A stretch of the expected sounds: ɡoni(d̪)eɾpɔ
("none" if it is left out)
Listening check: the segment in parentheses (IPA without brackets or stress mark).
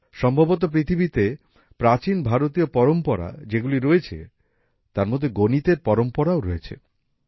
t̪